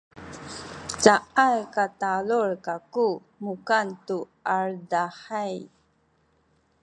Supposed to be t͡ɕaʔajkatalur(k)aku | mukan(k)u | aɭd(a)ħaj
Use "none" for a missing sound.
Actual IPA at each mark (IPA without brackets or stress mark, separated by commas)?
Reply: k, t, a